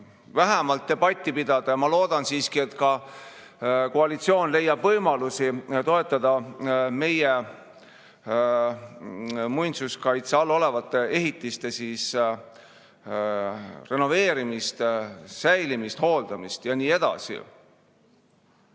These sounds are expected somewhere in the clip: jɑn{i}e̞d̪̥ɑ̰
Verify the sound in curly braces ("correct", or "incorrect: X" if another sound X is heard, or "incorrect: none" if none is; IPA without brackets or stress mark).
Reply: incorrect: iː